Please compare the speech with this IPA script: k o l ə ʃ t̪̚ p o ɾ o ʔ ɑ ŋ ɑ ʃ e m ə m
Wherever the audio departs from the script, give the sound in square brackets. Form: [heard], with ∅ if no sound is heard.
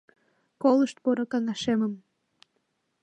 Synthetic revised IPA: k o l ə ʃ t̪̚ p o ɾ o [k] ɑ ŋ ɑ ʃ e m ə m